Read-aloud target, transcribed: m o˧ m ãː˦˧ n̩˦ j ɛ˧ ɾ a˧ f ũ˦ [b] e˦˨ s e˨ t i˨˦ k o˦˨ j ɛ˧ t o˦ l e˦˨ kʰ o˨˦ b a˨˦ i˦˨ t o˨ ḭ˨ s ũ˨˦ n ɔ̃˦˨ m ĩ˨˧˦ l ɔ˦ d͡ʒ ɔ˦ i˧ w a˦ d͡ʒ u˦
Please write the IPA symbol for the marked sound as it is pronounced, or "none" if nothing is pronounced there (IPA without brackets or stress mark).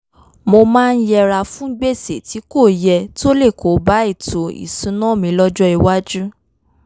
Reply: ɡ͡b